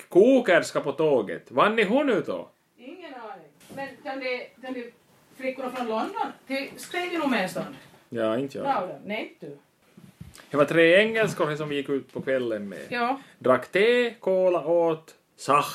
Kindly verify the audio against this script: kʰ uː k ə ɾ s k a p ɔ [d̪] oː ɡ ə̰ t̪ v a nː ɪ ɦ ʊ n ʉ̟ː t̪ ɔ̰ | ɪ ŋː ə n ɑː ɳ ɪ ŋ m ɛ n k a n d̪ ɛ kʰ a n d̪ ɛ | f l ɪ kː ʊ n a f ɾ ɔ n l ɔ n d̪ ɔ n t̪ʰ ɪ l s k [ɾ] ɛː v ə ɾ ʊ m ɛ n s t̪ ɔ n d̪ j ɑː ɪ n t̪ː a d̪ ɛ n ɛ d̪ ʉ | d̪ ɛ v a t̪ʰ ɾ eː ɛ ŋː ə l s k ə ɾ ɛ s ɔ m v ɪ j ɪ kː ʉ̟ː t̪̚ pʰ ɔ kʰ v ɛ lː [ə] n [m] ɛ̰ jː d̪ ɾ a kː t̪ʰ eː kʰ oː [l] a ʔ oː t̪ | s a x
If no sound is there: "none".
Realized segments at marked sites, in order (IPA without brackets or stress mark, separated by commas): t̪, ɾ, ə, m, l